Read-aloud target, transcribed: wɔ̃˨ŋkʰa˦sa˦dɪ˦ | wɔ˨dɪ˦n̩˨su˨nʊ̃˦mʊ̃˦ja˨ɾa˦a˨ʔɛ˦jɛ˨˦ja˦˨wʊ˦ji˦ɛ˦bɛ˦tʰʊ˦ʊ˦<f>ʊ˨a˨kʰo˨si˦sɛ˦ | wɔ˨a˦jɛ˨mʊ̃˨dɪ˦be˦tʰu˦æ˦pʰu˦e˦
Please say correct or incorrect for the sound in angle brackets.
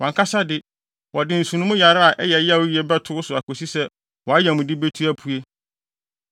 incorrect